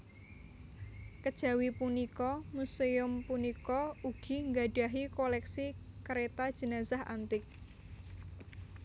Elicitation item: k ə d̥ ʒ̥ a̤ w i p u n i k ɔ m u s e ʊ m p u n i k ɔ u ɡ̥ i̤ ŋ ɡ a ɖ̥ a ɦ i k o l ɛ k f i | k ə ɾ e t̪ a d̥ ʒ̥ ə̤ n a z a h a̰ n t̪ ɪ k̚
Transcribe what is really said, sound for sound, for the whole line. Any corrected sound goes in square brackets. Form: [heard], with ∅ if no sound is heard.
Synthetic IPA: k ə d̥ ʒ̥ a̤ w i p u n i k ɔ m u s e ʊ m p u n i k ɔ u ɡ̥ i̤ ŋ ɡ a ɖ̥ a ɦ i k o l ɛ k [s] i | k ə ɾ e t̪ a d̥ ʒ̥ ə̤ n a z a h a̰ n t̪ ɪ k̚